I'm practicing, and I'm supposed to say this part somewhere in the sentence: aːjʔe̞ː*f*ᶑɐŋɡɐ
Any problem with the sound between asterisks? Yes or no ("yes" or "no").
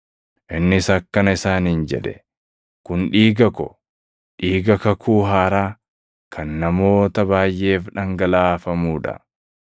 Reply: no